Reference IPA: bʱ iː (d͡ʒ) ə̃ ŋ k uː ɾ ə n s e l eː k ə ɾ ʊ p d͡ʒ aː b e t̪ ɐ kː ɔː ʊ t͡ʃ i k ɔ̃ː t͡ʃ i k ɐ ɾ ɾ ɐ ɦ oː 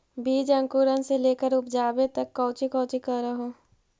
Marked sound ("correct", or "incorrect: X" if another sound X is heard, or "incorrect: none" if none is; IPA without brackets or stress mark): correct